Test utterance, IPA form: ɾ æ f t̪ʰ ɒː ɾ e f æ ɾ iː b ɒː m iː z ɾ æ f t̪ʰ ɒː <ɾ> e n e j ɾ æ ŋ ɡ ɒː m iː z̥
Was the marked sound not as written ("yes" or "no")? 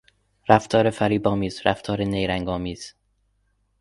no